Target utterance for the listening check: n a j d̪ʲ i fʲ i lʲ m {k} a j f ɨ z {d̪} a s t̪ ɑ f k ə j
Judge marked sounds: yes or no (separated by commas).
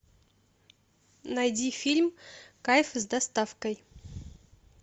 yes, yes